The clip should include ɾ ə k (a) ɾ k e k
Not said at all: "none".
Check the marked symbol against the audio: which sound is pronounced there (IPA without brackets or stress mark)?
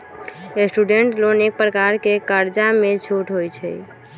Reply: a